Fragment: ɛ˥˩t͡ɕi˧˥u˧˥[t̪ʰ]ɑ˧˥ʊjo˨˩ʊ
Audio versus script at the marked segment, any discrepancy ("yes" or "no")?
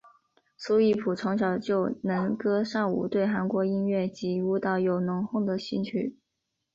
yes